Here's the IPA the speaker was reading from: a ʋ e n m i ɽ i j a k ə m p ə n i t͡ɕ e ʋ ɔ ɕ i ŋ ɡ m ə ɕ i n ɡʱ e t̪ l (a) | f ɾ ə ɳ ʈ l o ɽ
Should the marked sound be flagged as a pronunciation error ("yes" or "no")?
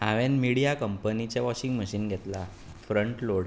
no